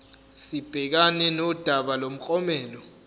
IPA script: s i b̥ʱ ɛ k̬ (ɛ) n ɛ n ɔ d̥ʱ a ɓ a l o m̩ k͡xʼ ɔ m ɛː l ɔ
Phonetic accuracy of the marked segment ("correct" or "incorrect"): incorrect